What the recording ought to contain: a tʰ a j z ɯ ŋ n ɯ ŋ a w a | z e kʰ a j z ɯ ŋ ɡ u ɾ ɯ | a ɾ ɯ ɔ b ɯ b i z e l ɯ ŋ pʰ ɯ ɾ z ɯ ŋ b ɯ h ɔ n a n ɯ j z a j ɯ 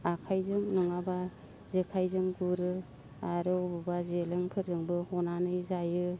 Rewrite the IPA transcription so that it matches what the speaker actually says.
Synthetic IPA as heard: a kʰ a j z ɯ ŋ n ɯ ŋ a b a | z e kʰ a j z ɯ ŋ ɡ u ɾ ɯ | a ɾ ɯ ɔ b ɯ b a z e l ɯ ŋ pʰ ɯ ɾ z ɯ ŋ b ɯ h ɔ n a n ɯ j z a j ɯ